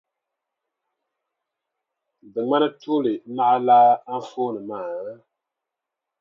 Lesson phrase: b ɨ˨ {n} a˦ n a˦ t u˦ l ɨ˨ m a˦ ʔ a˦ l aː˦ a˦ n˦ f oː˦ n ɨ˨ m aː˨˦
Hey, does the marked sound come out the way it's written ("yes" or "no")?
no